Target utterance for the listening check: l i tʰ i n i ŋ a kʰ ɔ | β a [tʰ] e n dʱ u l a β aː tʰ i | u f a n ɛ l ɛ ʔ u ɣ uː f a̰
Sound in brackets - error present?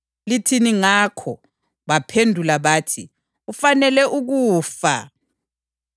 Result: yes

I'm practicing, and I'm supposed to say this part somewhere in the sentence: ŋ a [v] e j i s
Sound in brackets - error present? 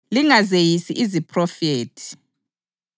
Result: yes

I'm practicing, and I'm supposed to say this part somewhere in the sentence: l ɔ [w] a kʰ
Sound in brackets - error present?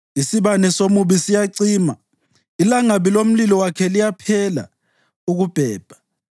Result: no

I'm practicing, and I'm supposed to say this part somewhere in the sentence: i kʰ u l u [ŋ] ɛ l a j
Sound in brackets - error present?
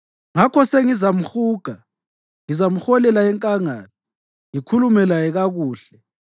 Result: yes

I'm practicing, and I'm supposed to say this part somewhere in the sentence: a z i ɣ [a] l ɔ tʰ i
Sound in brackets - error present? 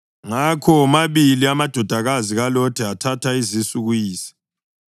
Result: no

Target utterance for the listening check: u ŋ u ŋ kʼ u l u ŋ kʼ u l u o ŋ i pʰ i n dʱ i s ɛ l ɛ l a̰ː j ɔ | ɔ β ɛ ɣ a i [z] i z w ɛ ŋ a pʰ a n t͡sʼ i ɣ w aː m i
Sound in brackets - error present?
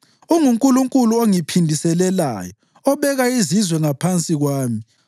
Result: no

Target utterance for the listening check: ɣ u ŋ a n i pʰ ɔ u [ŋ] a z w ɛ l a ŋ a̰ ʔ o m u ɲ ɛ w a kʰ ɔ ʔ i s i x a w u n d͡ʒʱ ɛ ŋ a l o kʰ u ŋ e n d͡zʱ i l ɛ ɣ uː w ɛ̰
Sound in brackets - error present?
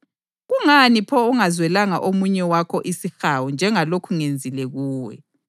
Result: no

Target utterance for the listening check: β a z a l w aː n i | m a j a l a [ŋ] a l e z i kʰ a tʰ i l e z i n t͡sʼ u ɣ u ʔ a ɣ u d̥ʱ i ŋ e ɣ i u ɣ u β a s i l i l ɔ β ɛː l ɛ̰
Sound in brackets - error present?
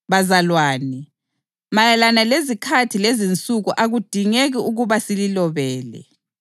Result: yes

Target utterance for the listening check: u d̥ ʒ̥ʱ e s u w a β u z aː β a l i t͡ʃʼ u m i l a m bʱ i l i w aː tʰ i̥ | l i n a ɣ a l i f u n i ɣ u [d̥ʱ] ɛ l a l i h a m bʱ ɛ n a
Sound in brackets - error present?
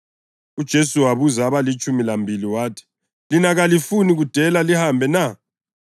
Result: no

